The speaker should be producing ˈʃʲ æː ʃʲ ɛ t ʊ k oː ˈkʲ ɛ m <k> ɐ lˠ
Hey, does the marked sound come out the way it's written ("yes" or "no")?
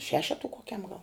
no